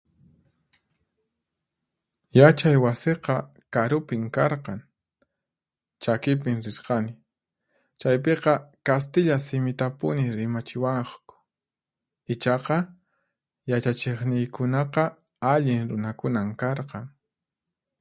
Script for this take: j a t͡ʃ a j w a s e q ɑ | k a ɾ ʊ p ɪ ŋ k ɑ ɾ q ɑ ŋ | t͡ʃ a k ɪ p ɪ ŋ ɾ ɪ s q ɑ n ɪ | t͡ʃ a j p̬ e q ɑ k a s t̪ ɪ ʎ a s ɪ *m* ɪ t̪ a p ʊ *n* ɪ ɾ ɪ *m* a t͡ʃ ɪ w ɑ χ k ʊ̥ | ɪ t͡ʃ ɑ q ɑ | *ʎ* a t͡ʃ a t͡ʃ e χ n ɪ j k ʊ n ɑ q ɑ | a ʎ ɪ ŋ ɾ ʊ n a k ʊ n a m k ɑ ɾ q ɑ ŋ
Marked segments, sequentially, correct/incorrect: correct, correct, correct, incorrect

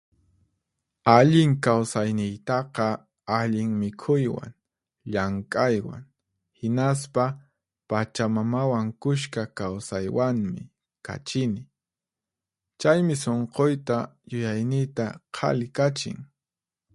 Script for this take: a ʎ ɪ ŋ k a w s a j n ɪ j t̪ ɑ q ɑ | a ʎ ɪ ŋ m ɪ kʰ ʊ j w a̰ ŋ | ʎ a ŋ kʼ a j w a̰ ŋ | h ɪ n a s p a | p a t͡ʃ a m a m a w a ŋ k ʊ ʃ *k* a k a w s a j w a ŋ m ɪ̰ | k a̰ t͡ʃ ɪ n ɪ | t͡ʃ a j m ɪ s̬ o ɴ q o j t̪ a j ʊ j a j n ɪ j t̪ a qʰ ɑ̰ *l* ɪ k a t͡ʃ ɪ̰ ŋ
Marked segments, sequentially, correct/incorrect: correct, correct

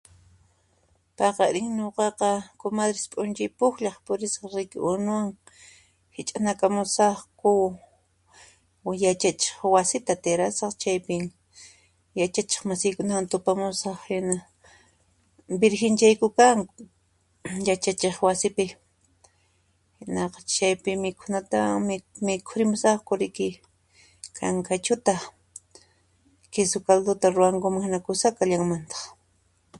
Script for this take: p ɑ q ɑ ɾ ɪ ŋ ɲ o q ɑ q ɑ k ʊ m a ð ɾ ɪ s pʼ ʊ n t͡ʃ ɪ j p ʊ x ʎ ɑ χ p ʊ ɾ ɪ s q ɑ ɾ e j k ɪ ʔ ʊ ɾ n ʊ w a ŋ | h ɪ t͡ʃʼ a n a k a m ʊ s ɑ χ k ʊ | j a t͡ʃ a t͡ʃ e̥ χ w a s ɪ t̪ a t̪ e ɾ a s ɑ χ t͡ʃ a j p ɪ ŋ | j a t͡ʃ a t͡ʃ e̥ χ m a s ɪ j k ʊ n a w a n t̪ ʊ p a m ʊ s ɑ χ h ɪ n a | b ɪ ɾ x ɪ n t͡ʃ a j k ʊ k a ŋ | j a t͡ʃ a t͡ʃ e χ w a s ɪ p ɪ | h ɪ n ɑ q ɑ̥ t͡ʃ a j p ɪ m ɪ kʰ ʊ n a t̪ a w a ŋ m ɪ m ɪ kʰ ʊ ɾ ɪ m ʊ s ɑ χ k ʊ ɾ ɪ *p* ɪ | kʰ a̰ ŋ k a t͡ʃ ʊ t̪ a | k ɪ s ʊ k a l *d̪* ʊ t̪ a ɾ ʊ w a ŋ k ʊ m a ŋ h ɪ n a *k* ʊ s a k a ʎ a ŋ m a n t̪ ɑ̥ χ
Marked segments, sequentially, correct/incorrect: incorrect, correct, correct

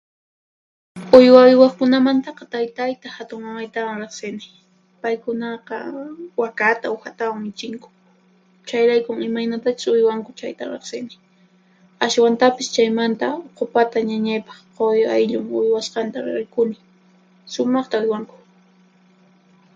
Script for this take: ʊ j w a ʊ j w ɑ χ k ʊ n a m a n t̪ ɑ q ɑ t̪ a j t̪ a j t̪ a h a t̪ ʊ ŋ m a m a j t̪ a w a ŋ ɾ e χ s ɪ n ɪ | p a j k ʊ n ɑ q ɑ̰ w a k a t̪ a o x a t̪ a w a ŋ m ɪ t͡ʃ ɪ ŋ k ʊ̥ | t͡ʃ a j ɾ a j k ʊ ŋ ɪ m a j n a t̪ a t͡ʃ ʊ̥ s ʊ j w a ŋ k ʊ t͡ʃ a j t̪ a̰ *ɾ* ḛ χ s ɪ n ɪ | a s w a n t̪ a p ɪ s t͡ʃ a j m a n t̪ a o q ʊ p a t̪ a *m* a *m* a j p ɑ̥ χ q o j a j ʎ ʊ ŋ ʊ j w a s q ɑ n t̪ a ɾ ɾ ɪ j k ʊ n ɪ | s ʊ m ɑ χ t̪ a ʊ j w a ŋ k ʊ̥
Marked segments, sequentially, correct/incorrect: correct, incorrect, incorrect

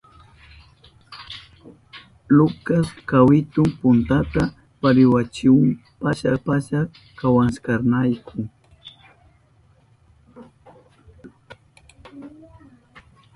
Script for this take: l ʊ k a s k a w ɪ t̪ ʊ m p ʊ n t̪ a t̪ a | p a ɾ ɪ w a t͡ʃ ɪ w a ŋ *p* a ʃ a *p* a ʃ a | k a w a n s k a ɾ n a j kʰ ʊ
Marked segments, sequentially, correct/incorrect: correct, correct

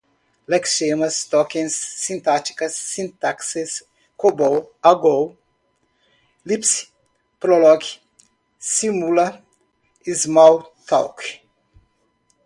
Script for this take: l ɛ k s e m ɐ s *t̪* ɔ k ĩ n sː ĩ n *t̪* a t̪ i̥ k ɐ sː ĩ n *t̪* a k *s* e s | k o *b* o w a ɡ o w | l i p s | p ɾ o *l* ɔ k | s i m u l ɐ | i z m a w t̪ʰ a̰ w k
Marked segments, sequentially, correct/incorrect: correct, correct, correct, correct, correct, correct

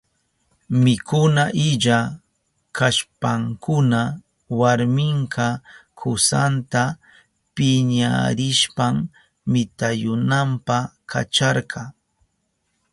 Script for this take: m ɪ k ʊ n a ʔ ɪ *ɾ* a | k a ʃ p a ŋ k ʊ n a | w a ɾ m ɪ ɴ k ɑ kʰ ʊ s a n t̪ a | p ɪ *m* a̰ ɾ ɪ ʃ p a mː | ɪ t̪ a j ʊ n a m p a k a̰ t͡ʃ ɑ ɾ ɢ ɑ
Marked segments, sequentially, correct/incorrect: incorrect, incorrect

